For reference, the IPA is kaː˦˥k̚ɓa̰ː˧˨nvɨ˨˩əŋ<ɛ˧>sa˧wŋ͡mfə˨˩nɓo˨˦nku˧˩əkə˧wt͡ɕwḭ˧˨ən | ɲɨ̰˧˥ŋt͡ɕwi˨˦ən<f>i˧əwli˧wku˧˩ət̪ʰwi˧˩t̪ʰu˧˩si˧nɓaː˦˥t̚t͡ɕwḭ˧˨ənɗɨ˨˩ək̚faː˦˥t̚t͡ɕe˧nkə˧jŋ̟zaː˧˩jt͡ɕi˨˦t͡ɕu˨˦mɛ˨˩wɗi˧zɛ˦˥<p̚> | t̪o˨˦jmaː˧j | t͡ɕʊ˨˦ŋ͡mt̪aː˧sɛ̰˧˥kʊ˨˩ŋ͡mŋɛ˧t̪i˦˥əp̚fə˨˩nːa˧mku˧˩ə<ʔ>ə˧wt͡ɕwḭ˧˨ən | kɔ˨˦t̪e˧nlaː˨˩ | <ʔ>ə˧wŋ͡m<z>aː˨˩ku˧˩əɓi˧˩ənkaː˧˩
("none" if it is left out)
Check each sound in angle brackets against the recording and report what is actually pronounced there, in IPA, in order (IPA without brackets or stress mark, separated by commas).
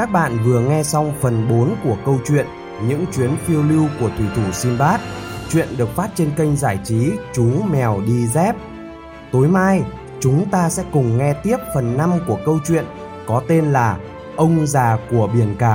ɛ˧, f, p̚, k, ʔ, z